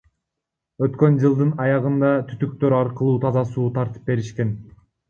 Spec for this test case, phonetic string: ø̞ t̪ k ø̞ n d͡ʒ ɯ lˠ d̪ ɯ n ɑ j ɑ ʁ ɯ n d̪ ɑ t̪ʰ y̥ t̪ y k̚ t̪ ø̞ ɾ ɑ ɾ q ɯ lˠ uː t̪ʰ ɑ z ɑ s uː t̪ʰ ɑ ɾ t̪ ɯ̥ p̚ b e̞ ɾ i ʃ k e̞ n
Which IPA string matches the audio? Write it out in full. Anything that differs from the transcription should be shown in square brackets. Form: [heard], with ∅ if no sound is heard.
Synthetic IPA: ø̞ t̪ k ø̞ n d͡ʒ ɯ lˠ d̪ ɯ n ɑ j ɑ ʁ ɯ n d̪ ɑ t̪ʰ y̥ t̪ y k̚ t̪ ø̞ ɾ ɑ ɾ q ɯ lˠ uː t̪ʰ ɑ z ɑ s uː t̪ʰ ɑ ɾ t̪ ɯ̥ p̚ b e̞ ɾ i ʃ k e̞ n